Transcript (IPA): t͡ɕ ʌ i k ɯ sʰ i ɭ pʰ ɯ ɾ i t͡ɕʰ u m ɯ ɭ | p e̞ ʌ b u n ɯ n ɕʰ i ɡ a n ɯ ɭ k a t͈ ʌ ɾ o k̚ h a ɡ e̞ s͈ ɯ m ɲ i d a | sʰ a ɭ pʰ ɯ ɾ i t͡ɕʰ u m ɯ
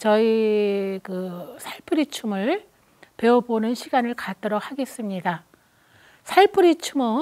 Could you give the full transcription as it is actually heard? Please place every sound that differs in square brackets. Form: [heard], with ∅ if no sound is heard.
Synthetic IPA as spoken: t͡ɕ ʌ i k ɯ sʰ [a] ɭ pʰ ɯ ɾ i t͡ɕʰ u m ɯ ɭ | p e̞ ʌ b [o] n ɯ n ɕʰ i ɡ a n ɯ ɭ k a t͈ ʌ ɾ o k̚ h a ɡ e̞ s͈ ɯ m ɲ i d a | sʰ a ɭ pʰ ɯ ɾ i t͡ɕʰ u m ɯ